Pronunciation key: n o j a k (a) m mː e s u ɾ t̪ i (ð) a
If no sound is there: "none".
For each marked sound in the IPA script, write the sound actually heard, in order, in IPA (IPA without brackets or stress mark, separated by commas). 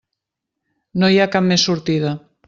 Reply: a, ð